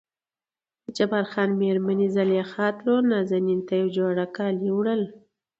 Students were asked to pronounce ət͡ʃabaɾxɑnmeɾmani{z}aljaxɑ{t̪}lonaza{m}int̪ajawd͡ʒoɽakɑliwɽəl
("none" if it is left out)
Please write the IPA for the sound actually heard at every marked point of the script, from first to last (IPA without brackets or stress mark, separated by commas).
z, t̪, n